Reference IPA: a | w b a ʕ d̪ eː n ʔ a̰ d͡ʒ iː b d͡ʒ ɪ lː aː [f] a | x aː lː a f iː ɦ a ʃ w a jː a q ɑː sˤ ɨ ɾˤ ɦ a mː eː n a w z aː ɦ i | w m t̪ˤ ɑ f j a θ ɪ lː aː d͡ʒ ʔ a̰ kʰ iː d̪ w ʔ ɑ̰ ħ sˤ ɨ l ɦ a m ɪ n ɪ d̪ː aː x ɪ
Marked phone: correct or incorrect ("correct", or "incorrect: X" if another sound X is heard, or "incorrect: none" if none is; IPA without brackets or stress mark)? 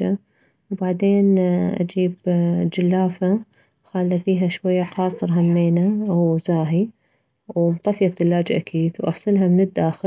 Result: correct